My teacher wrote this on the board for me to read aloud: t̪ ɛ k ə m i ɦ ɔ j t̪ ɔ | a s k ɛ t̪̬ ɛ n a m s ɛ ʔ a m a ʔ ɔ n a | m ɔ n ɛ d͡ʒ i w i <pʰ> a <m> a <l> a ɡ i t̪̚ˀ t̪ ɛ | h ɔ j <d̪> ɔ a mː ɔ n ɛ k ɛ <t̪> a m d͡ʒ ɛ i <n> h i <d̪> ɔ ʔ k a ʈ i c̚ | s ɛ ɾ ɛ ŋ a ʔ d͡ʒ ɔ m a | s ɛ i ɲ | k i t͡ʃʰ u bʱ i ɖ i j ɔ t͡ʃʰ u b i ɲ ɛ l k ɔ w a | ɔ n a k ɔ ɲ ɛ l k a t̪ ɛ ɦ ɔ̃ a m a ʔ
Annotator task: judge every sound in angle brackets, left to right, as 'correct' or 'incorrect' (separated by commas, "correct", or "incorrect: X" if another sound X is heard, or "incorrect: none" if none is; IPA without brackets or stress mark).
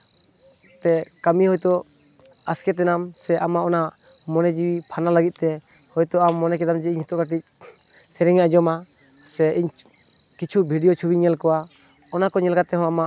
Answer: correct, incorrect: n, correct, incorrect: t̪, incorrect: d̪, incorrect: ɲ, incorrect: t̪